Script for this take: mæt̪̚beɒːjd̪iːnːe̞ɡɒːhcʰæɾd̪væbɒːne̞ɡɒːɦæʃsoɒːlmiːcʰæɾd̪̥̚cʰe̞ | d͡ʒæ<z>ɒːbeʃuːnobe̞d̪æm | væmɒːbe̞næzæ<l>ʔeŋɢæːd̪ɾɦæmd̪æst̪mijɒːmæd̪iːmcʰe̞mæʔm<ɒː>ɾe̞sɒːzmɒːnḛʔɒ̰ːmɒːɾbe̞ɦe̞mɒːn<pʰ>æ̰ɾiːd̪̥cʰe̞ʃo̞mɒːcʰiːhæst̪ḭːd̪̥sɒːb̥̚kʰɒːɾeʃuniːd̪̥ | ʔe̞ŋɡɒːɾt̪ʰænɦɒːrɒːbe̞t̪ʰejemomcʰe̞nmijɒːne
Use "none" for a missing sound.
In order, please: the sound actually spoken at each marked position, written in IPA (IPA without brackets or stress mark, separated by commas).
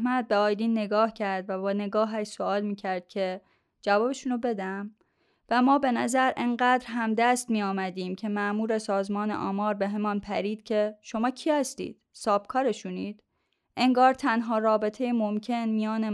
v, ɾ, uː, pʰ